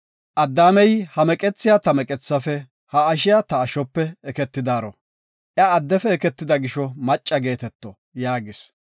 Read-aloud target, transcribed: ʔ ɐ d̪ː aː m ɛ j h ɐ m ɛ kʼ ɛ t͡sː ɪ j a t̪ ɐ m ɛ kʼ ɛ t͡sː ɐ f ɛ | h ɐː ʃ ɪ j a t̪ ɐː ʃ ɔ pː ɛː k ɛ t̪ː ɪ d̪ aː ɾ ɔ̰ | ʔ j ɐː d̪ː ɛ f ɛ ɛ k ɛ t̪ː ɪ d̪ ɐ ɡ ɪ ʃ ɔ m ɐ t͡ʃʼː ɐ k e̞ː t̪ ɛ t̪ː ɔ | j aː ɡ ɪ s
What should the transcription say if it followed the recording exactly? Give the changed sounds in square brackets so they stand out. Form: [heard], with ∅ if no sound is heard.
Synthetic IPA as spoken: ʔ ɐ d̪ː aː m ɛ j h ɐ m ɛ kʼ ɛ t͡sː ɪ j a t̪ ɐ m ɛ kʼ ɛ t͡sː ɐ f ɛ | h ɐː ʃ ɪ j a t̪ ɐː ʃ ɔ pː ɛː k ɛ t̪ː ɪ d̪ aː ɾ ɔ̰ | ʔ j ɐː d̪ː ɛ f ɛ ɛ k ɛ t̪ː ɪ d̪ ɐ ɡ ɪ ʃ ɔ m ɐ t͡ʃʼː ɐ [ɡ] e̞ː t̪ ɛ t̪ː ɔ | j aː ɡ ɪ s